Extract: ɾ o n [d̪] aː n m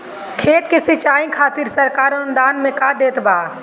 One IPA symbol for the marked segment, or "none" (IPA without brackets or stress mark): d̪